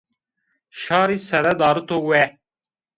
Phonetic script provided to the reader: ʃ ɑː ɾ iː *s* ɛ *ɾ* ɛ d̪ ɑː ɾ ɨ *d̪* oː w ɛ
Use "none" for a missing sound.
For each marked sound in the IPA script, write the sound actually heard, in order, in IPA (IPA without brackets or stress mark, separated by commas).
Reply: s, ɾ, t̪